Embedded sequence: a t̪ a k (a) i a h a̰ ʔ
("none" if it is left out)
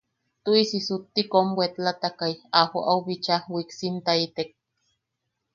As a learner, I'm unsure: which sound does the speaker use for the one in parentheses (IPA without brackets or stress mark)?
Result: a